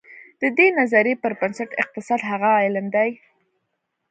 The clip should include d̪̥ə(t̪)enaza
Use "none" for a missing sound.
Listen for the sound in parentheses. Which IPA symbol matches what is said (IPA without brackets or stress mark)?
d̪